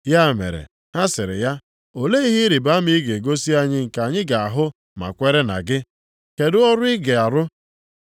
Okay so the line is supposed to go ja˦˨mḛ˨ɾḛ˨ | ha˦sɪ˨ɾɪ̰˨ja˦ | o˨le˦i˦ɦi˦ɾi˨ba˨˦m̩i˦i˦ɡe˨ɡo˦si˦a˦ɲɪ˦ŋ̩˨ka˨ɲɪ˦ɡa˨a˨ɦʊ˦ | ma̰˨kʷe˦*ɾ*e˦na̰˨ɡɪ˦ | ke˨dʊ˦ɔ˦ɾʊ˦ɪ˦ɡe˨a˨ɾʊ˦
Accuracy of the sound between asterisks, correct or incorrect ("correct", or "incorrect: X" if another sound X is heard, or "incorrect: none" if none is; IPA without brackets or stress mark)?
correct